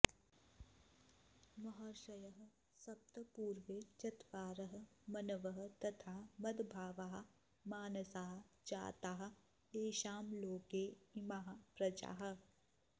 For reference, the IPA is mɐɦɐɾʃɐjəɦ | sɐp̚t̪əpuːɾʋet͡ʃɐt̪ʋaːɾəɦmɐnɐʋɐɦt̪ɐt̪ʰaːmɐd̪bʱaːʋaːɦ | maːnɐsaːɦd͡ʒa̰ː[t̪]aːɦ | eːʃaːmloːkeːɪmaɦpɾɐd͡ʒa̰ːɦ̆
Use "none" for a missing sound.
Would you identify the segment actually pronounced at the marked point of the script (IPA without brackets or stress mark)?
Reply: t̪